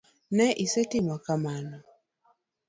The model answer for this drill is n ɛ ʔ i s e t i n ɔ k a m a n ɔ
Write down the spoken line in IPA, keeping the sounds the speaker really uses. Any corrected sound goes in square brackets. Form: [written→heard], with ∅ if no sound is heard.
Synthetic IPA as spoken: n ɛ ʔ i s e t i [n→m] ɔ k a m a n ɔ